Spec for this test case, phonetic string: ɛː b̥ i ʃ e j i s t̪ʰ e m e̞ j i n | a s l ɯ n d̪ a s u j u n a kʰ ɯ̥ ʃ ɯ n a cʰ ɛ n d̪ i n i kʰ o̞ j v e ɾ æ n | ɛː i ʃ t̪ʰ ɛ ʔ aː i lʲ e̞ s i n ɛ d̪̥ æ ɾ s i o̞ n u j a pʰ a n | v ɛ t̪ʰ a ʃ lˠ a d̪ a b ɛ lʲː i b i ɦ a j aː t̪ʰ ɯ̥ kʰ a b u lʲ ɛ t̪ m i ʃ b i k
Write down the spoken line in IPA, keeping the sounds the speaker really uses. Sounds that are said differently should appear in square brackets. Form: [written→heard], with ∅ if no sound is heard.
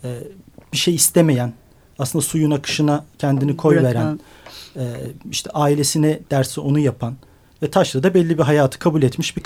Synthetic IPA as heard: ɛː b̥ i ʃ e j i s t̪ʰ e m e̞ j [i→æ] n | a s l ɯ n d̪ a s u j u n a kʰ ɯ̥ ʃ ɯ n a cʰ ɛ n d̪ i n i kʰ o̞ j v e ɾ æ n | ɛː i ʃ t̪ʰ ɛ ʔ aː i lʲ e̞ s i n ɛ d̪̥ æ ɾ s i o̞ n u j a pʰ a n | v ɛ t̪ʰ a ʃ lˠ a d̪ a b ɛ lʲː i b i ɦ a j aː t̪ʰ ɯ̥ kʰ a b u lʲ ɛ t̪ m i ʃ b i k